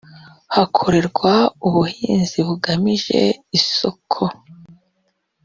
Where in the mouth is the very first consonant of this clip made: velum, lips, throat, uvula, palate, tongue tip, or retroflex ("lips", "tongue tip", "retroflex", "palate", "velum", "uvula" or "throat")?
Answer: throat